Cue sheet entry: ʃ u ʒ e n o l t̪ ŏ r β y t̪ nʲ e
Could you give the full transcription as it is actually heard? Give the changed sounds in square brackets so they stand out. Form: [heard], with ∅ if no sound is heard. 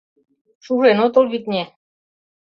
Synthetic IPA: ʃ u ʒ e n o [∅] t̪ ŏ [l] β [i] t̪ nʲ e